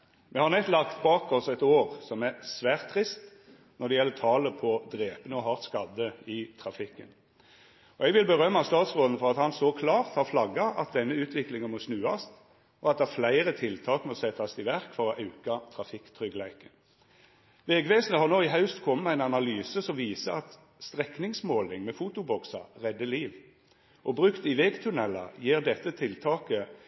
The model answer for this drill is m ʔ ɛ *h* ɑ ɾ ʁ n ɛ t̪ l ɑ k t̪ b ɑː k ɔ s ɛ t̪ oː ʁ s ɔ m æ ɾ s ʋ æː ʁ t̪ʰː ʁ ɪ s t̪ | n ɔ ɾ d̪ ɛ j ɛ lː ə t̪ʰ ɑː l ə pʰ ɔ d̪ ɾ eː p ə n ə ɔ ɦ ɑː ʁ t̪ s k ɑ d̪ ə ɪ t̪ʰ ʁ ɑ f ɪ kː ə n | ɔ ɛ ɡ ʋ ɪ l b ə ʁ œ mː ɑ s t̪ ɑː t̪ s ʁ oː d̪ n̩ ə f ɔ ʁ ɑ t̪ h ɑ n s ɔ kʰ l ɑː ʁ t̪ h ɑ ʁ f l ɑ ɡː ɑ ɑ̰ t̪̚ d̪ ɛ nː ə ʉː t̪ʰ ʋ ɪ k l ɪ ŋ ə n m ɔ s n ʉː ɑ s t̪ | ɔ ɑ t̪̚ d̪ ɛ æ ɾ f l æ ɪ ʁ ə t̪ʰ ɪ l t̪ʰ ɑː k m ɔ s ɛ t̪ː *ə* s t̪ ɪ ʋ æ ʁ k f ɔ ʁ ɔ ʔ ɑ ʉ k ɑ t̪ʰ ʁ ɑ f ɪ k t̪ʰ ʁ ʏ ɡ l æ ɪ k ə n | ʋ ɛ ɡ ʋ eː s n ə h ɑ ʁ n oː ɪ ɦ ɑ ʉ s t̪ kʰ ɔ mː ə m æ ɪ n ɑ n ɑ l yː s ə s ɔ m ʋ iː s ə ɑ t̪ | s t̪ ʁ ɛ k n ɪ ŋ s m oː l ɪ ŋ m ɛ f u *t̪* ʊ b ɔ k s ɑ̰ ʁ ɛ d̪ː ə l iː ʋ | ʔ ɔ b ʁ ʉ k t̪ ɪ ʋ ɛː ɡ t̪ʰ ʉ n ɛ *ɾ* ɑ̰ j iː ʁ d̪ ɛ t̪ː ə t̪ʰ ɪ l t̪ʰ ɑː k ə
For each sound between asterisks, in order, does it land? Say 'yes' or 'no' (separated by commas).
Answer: yes, no, yes, no